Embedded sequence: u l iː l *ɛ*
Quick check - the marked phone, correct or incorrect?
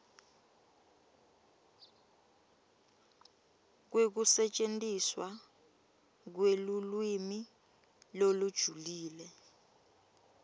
correct